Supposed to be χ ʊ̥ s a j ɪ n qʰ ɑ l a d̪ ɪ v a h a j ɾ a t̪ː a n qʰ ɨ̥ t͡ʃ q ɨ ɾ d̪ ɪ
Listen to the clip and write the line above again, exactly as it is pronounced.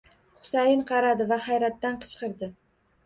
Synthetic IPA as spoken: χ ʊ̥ s a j ɪ n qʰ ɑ ɾ a d̪ ɪ v a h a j ɾ a t̪ː a n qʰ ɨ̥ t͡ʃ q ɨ ɾ d̪ ɪ